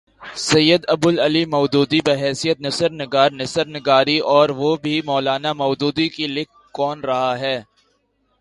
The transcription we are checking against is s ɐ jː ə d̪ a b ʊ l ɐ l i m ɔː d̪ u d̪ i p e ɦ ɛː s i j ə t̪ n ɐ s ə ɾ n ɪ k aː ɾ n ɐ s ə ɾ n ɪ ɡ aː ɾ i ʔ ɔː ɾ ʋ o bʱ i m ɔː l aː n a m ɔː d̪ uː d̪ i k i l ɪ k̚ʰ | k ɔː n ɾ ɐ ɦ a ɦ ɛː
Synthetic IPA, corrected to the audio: s ɐ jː ə d̪ ɐ b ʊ l ɐ l i m ɔː d̪ uː d̪ i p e ɦ ɛː s i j ə t̪ n ɐ s ə ɾ n ɪ ɡ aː ɾ n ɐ s ə ɾ n ɪ ɡ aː ɾ i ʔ ɔː ɾ ʋ o bʱ i m ɔː l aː n a m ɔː d̪ uː d̪ i k i l ɪ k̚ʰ | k ɔː n ɾ ɐ ɦ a ɦ ɛː